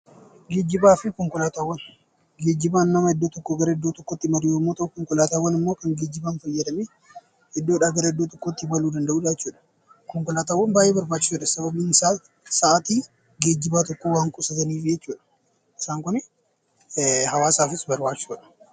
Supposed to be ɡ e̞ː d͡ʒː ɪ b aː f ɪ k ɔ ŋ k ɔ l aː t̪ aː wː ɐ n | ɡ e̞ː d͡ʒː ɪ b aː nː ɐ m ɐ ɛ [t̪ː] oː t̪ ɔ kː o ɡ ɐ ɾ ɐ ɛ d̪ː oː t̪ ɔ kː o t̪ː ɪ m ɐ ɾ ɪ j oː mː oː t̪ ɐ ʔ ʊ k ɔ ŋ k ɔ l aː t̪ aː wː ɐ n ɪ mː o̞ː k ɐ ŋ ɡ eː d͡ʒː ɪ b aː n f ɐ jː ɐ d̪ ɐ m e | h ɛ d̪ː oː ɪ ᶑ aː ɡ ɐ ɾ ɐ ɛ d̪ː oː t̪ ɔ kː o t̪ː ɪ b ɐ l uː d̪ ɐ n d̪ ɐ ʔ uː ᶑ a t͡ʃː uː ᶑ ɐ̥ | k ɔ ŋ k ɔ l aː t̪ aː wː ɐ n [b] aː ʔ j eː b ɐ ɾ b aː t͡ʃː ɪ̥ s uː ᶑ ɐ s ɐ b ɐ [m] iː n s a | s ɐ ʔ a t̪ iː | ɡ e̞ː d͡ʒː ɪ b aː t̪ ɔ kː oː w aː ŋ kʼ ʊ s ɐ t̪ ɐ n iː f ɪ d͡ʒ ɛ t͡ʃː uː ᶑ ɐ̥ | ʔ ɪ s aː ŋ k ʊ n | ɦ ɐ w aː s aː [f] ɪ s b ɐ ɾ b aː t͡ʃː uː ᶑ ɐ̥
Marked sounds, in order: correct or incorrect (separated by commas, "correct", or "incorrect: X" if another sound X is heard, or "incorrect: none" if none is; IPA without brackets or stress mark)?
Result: incorrect: d̪ː, correct, incorrect: b, correct